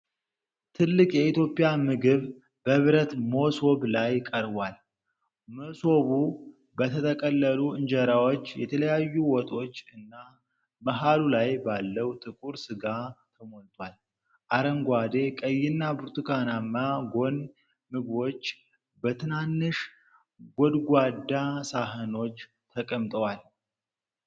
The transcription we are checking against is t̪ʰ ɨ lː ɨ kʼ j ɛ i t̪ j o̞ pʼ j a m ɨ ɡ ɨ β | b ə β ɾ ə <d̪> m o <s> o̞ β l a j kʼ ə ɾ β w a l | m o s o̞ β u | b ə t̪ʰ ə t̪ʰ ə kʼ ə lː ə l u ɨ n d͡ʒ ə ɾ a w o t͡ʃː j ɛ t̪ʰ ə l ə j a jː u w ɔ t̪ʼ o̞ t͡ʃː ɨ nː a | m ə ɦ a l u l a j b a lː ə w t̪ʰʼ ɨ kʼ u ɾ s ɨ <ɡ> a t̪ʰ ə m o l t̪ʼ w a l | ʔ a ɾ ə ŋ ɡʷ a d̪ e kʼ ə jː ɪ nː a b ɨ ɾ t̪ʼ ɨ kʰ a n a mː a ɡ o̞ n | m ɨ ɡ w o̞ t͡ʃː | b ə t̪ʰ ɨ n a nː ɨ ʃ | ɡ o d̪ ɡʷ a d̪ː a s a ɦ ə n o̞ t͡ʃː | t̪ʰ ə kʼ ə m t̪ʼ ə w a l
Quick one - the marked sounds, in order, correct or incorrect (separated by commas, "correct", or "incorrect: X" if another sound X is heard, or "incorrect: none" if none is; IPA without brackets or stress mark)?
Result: incorrect: t̪, correct, correct